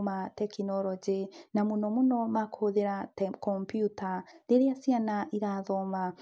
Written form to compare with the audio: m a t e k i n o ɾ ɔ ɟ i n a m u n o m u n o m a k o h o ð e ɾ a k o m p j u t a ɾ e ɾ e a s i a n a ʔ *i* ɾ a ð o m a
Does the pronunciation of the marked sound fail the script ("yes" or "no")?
no